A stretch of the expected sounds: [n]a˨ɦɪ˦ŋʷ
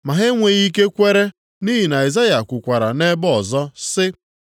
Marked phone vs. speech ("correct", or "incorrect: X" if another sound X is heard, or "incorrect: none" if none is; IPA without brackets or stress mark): incorrect: m